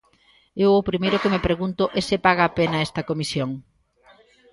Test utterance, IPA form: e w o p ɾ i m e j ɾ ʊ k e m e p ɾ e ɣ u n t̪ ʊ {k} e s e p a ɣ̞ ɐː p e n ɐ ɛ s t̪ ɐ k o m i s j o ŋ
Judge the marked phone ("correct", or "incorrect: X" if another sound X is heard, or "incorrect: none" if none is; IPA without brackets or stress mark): incorrect: ʔ